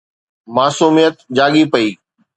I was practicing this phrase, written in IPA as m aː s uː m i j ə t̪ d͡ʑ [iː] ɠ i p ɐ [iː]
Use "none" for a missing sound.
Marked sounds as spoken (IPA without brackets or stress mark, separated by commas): aː, iː